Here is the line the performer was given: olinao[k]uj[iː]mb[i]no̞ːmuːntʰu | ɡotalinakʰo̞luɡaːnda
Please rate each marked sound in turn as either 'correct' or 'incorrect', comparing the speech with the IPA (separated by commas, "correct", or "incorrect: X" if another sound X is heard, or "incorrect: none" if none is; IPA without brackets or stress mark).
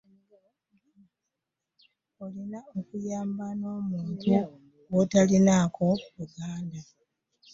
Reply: correct, incorrect: aː, incorrect: a